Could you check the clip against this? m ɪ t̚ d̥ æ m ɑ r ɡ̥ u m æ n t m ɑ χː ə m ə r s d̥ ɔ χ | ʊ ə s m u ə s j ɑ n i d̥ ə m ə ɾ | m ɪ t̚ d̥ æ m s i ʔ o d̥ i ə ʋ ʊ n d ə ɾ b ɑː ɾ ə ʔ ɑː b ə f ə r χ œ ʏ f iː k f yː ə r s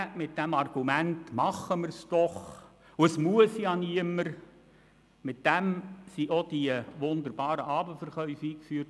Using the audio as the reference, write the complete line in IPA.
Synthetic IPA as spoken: m ɪ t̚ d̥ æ m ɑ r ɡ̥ u m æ n t m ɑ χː ə m ə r s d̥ ɔ χ | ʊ ə s m u ə s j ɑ n i ə m ə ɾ | m ɪ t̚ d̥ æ m s i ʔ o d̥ i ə ʋ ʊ n d ə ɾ b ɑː ɾ ə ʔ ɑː b ə f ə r χ œ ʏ f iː k f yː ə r t